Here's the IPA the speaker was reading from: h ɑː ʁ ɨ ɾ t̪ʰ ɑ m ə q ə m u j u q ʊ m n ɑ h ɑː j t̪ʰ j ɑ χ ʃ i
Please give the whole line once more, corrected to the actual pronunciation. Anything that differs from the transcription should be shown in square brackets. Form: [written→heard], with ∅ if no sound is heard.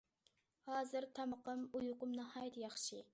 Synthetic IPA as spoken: h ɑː [ʁ→z] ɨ ɾ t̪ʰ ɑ m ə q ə m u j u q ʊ m n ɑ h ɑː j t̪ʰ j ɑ χ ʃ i